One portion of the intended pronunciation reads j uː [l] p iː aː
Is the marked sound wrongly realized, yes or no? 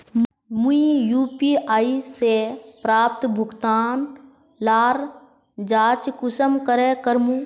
yes